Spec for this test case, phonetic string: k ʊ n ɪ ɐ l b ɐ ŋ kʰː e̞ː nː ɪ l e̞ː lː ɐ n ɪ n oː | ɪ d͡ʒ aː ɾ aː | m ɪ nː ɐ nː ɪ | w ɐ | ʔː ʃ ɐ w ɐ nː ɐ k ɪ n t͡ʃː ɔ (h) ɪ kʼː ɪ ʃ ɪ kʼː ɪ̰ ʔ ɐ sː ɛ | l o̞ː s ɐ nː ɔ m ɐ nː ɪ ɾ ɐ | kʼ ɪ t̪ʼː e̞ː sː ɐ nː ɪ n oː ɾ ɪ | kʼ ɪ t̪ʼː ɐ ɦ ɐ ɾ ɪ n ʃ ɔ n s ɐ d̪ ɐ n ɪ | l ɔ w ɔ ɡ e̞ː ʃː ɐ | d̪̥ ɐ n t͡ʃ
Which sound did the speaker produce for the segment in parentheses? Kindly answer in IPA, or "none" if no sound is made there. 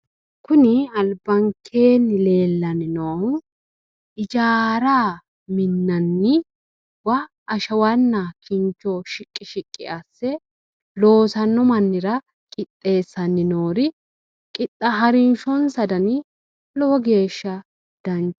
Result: ʃ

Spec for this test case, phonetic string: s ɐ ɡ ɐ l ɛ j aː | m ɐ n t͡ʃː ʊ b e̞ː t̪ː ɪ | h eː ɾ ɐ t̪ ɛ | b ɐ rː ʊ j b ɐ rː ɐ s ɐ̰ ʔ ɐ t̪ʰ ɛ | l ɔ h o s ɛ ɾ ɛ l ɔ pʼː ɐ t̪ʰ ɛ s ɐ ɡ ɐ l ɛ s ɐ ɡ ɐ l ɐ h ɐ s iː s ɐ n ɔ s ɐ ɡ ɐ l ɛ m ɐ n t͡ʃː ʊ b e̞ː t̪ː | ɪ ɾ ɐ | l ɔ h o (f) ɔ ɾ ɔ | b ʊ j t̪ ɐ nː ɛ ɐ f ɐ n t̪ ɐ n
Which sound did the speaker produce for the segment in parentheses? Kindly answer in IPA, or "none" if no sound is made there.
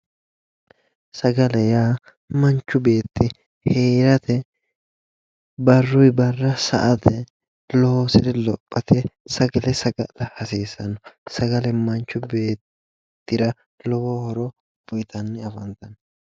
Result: h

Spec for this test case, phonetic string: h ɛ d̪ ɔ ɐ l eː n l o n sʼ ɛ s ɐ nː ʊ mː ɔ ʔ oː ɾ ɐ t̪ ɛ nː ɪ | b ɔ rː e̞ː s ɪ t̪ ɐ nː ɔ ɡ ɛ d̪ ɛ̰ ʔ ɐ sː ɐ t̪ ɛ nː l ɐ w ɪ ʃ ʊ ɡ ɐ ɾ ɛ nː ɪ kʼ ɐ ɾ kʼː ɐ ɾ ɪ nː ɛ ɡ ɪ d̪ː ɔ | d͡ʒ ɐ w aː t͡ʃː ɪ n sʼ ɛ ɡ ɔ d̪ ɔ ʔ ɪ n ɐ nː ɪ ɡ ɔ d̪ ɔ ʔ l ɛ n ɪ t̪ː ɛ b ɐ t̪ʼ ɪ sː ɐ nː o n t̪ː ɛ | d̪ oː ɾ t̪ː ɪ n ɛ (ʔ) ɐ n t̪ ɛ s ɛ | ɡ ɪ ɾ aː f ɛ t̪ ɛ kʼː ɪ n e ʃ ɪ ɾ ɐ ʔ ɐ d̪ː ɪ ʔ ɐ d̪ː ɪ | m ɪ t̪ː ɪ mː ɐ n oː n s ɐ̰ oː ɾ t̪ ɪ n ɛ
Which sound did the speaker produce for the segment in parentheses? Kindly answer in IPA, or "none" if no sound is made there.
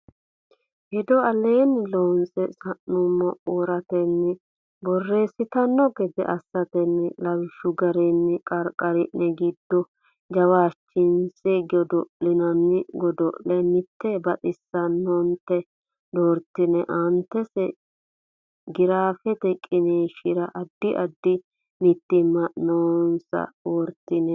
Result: ʔ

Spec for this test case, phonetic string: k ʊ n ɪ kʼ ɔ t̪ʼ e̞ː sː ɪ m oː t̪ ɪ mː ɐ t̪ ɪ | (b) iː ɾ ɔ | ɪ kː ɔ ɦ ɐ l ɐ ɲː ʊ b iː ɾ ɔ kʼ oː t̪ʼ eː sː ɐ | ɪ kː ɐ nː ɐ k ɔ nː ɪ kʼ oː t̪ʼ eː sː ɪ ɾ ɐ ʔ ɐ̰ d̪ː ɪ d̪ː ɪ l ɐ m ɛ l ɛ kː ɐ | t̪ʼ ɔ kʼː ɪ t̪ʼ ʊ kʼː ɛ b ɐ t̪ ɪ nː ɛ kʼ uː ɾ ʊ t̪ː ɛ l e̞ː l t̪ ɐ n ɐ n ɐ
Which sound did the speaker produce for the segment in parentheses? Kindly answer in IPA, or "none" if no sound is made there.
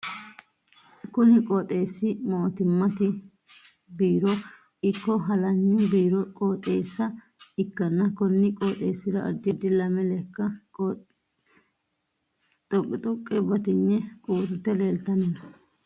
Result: b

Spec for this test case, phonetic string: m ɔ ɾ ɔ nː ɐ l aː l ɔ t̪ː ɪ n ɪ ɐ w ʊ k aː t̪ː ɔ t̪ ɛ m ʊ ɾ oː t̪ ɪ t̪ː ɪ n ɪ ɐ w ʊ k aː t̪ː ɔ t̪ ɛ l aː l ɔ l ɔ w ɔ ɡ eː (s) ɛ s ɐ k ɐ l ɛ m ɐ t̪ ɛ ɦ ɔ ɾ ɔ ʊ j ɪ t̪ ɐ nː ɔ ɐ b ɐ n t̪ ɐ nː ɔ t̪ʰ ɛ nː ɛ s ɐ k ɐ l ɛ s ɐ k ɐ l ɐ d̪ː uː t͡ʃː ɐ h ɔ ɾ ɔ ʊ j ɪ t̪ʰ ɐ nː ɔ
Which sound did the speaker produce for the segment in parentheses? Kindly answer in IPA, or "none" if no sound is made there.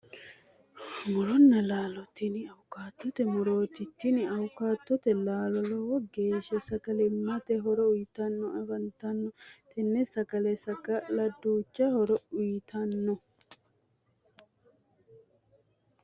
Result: ʃ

